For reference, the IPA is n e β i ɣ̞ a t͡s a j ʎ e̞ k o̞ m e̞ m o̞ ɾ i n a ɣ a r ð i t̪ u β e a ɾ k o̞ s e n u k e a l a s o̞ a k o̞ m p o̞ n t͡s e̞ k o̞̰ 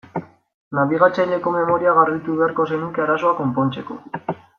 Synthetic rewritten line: n a β i ɣ̞ a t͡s a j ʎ e̞ k o̞ m e̞ m o̞ ɾ i a ɣ a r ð i t̪ u β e a ɾ k o̞ s e n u k e a ɾ a s o̞ a k o̞ m p o̞ n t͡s e̞ k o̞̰